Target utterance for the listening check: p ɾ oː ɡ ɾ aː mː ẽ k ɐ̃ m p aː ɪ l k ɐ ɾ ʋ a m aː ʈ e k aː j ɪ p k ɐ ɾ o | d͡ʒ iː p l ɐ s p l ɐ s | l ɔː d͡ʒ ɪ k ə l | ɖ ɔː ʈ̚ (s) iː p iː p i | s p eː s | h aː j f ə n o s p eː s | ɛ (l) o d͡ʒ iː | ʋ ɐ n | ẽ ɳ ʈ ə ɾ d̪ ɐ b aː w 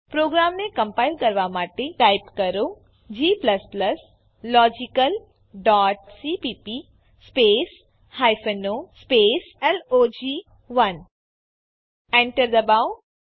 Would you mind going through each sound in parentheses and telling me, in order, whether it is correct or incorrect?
correct, correct

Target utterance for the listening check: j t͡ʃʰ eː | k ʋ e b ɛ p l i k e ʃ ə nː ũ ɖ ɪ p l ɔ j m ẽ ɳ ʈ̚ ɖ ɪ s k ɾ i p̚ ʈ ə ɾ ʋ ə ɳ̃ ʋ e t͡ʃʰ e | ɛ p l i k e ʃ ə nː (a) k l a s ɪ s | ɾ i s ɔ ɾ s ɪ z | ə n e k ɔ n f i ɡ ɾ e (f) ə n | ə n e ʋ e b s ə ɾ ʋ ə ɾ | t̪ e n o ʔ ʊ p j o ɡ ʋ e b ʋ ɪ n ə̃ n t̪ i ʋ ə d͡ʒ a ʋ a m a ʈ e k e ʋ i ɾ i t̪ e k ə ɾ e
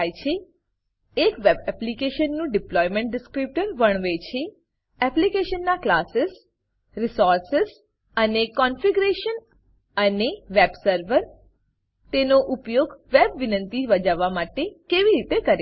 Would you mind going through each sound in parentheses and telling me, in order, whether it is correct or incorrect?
correct, incorrect: ʃ

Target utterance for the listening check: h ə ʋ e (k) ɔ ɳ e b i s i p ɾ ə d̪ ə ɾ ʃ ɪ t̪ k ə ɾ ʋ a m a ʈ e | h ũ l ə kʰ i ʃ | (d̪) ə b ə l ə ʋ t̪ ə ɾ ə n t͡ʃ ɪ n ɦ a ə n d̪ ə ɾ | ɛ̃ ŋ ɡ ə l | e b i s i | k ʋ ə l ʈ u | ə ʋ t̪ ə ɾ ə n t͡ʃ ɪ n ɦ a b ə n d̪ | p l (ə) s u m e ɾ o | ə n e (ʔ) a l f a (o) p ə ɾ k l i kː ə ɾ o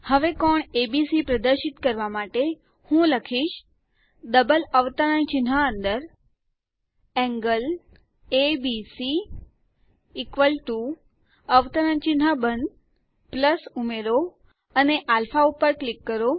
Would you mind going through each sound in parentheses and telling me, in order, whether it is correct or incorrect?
correct, correct, correct, correct, incorrect: u

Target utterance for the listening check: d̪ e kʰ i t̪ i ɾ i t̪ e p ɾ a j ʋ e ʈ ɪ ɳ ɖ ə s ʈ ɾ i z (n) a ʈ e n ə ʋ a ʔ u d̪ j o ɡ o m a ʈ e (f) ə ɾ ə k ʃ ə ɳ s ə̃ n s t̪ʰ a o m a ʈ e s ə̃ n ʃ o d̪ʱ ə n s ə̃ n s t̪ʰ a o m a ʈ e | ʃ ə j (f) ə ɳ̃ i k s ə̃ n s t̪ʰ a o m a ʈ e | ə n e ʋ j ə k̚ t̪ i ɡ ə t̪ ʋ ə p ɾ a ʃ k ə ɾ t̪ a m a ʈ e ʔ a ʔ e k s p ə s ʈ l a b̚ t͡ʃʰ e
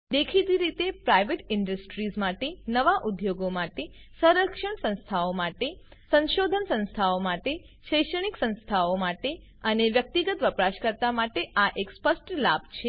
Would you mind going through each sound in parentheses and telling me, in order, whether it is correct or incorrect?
incorrect: m, incorrect: s, incorrect: ʃ

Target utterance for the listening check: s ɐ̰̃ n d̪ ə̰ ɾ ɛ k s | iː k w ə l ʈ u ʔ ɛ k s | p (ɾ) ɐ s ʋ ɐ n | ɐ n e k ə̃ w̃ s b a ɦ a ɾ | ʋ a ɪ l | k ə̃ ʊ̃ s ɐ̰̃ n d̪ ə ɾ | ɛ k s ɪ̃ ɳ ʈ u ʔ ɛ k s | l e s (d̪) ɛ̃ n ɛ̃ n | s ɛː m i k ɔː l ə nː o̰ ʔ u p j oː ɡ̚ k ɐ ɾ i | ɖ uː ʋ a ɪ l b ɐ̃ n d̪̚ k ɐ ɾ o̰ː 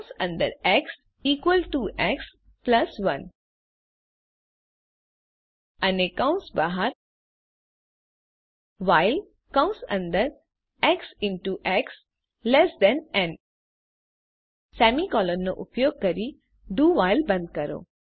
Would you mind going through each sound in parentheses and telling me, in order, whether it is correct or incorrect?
incorrect: l, correct

